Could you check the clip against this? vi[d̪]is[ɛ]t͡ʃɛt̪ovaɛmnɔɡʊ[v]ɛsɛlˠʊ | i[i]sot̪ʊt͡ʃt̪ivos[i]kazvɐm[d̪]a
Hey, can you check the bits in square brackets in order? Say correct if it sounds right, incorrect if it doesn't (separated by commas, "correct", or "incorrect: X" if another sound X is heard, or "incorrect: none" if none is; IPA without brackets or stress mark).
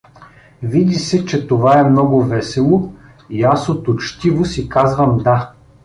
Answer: correct, correct, correct, incorrect: a, correct, correct